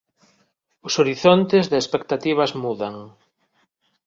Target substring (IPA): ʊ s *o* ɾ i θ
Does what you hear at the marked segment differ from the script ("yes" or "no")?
no